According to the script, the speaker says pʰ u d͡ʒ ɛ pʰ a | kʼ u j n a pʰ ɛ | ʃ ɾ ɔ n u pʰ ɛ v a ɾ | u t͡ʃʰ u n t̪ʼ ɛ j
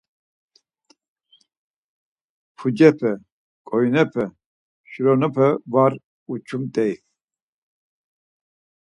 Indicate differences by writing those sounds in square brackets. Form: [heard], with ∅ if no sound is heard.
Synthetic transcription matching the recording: pʰ u d͡ʒ ɛ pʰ [ɛ] | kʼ [ɔ] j n [ɛ] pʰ ɛ | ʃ ɾ ɔ n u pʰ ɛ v a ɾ | u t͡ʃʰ u [m] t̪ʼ ɛ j